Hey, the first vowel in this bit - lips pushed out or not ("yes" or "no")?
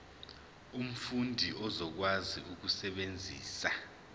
yes